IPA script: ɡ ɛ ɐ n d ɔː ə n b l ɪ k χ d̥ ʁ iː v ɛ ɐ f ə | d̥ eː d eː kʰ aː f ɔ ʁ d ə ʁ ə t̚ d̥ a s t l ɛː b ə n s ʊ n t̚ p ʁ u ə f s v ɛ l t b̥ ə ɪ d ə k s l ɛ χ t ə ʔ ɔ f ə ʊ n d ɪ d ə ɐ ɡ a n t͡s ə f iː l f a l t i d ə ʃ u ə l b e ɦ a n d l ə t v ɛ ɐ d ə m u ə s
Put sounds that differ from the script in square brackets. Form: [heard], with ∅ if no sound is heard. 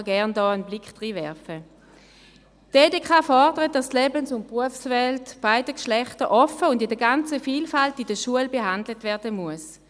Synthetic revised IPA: ɡ ɛ ɐ n d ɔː ə n b l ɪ k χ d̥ ʁ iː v ɛ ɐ f ə | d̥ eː d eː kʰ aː f ɔ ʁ d ə ʁ ə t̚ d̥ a s t l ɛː b ə n s ʊ n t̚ p ʁ u ə f s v ɛ l t b̥ [a] ɪ d ə k [ʃ] l ɛ χ t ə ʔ ɔ f ə ʊ n d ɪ d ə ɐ ɡ a n t͡s ə f iː l f a l t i d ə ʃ u ə l b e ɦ a n d l ə t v ɛ ɐ d ə m u ə s